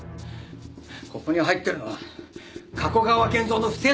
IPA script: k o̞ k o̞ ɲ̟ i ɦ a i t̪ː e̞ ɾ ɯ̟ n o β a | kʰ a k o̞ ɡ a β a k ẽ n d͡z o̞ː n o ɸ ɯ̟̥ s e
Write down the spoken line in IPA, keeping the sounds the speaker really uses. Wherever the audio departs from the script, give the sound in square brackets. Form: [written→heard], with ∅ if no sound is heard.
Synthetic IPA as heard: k o̞ k o̞ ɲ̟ i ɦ a i t̪ː e̞ ɾ ɯ̟ n o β a | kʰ a k o̞ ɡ a β a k ẽ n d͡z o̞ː n o ɸ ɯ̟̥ s e